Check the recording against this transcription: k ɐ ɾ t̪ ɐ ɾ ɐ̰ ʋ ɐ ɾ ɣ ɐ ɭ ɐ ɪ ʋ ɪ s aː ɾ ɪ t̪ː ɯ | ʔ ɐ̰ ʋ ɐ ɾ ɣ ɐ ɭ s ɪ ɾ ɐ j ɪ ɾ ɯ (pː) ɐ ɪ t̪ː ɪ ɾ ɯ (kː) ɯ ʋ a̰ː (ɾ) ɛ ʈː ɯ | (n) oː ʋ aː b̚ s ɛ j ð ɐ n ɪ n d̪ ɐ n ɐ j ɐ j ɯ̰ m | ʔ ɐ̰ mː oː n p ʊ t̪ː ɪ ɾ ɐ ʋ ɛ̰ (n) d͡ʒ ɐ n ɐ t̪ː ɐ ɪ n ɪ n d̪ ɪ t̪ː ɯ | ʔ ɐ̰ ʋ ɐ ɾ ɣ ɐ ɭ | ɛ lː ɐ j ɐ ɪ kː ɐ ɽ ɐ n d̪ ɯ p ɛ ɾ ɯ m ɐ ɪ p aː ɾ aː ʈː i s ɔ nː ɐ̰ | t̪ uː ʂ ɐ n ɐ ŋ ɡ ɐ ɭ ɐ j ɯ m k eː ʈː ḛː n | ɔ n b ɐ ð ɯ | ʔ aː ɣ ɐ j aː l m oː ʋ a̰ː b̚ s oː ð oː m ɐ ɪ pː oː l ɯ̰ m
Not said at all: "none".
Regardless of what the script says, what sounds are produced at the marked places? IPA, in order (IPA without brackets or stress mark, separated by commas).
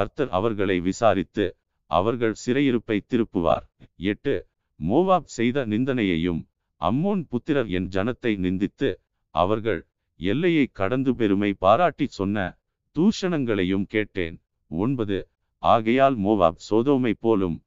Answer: pː, pː, ɾ, m, n